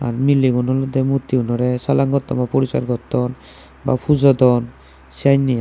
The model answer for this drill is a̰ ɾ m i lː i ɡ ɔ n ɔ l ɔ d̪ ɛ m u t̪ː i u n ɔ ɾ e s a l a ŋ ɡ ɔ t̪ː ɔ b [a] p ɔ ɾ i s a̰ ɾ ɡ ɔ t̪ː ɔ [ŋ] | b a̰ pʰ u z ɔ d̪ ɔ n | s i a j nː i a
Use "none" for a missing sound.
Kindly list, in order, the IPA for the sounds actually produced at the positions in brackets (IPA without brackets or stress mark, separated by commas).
a, n